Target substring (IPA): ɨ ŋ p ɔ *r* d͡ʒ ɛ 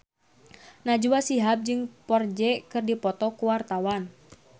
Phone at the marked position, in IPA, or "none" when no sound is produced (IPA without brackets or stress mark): r